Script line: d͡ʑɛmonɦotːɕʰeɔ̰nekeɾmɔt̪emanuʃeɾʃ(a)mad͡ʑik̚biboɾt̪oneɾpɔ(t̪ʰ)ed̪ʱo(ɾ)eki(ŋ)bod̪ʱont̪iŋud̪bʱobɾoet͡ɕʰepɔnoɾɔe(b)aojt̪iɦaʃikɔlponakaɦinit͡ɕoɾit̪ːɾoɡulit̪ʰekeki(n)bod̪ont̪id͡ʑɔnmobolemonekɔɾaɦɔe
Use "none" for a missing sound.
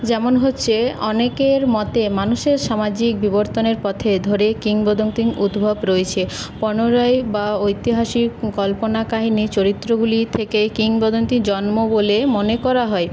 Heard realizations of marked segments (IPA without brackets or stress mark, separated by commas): a, t̪ʰ, ɾ, ŋ, b, ŋ